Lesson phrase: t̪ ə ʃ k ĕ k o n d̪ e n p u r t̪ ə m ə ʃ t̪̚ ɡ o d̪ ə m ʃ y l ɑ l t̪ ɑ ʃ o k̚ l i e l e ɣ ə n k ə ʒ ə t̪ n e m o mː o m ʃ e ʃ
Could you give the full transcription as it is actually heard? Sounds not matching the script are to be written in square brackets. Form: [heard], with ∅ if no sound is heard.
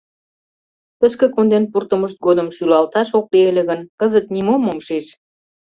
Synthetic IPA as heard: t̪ ə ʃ k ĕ k o n d̪ e n p u r t̪ ə m ə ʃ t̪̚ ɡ o d̪ ə m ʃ y l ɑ l t̪ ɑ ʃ o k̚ l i e l e ɣ ə n k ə [z] ə t̪ n [i] m o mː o m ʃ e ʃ